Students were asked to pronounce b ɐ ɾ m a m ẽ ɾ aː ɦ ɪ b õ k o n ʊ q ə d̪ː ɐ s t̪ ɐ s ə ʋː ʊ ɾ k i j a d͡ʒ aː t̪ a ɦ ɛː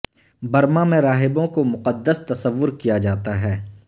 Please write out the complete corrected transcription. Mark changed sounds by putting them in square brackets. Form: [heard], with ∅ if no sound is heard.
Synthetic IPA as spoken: b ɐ ɾ m a m ẽ ɾ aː ɦ ɪ b õ k o [m] ʊ q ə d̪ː [ə] s t̪ ɐ s ə ʋː ʊ ɾ k i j a d͡ʒ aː t̪ a ɦ ɛː